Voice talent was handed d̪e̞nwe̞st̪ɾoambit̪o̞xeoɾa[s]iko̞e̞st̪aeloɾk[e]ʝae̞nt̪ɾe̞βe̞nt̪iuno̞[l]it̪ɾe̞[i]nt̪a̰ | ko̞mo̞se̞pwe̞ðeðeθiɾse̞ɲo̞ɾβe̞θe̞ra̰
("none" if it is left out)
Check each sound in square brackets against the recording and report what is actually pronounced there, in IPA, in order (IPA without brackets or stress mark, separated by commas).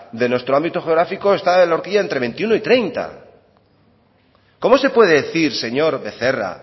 f, i, none, j